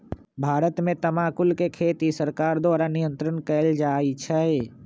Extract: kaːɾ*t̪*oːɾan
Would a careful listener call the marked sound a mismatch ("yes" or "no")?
yes